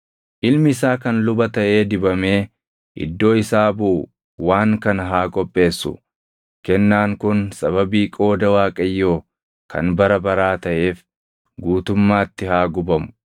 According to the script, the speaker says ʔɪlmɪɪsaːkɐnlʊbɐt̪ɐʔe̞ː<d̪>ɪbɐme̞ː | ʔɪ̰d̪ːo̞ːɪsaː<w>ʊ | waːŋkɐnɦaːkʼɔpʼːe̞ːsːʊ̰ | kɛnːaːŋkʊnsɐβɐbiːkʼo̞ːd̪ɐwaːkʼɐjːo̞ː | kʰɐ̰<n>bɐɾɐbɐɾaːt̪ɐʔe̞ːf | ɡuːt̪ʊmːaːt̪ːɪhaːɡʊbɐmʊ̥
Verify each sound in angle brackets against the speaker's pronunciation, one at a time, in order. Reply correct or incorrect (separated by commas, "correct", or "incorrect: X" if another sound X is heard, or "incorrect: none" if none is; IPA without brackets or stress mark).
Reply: correct, incorrect: b, correct